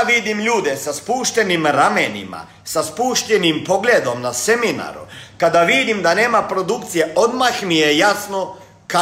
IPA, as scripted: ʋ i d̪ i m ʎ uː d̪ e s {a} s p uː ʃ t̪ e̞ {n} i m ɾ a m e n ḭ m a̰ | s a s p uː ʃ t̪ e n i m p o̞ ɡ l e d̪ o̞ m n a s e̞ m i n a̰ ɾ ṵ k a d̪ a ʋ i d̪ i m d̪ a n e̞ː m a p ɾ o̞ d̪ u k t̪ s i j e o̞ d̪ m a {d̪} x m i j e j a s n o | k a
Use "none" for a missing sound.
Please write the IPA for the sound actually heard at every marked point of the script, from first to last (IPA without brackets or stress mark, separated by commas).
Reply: a, n, none